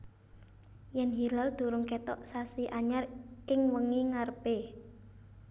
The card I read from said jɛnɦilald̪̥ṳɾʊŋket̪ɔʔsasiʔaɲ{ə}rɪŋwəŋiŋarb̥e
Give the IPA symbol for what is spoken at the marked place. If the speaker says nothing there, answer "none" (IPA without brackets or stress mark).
a